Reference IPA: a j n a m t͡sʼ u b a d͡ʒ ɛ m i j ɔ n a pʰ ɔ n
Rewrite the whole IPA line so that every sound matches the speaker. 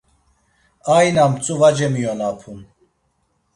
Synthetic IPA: a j n a m t͡sʼ u v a d͡ʒ ɛ m i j ɔ n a pʰ u n